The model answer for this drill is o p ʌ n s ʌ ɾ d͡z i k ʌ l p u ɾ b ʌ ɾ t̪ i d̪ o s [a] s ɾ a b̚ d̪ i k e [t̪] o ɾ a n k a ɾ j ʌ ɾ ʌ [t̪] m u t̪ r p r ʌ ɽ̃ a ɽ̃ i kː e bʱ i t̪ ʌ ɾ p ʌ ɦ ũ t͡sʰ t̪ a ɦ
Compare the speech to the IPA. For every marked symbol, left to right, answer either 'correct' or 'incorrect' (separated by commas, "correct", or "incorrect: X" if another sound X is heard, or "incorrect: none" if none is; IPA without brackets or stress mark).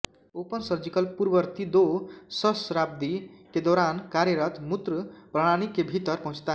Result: incorrect: ʌ, incorrect: d̪, correct